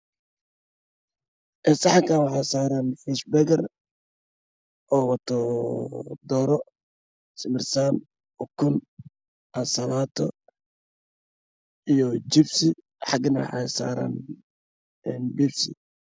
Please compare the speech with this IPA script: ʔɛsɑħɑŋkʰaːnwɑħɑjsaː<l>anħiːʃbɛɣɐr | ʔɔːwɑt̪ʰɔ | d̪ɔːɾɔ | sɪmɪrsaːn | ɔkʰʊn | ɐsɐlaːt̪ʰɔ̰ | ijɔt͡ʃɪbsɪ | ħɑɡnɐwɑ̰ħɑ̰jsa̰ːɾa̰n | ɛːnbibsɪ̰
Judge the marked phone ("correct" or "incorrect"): incorrect